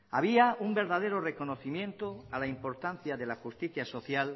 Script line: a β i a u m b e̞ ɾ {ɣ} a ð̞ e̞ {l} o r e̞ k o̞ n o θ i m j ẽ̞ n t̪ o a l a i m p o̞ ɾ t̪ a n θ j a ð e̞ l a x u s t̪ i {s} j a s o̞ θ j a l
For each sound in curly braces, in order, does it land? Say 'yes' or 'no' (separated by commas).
no, no, no